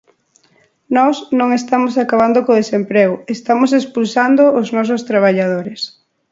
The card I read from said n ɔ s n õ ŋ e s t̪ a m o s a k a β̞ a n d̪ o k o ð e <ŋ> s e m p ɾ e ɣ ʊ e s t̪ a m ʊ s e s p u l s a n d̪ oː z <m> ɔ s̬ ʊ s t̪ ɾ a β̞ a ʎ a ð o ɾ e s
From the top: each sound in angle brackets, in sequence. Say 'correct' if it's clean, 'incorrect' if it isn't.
incorrect: none, incorrect: n

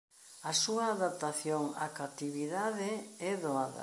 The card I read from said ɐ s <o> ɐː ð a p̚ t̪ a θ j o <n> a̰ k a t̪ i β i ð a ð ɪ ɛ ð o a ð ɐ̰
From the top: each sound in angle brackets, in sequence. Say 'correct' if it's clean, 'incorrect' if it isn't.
incorrect: u, incorrect: ŋ

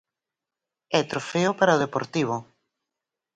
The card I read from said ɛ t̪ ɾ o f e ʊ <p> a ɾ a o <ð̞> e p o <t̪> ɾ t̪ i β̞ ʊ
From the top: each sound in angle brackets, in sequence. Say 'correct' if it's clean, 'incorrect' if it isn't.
correct, correct, incorrect: none

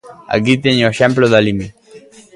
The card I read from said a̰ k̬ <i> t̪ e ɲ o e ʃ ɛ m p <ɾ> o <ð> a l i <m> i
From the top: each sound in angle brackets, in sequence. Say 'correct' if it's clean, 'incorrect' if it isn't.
correct, incorrect: l, correct, correct

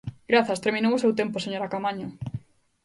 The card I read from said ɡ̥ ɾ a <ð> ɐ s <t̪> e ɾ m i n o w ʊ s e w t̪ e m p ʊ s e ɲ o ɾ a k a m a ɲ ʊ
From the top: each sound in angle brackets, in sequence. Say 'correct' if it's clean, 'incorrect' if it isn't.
incorrect: θ, correct

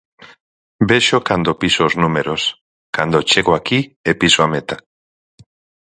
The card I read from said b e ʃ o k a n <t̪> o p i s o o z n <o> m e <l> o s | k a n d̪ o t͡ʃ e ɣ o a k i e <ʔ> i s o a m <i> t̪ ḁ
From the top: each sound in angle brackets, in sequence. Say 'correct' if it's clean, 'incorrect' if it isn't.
incorrect: d̪, incorrect: u, incorrect: ɾ, incorrect: p, incorrect: e

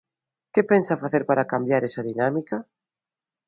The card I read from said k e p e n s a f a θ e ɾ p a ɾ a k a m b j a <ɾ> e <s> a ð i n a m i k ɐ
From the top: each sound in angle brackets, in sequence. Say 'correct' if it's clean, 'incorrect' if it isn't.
correct, correct

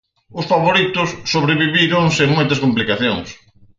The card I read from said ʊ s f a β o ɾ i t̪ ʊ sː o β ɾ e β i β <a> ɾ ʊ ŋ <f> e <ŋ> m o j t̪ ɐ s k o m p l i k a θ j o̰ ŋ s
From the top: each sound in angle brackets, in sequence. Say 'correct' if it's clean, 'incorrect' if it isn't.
incorrect: i, incorrect: s, correct

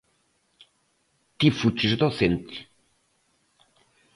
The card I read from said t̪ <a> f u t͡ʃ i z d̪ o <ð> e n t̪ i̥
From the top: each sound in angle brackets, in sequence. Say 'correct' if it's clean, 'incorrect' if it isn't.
incorrect: i, incorrect: θ

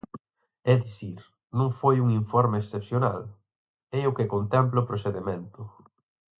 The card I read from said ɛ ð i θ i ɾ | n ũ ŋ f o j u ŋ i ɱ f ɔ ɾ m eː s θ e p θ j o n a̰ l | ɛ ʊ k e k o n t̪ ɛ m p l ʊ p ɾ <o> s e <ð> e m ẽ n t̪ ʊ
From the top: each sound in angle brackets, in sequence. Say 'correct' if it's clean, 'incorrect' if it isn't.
correct, correct

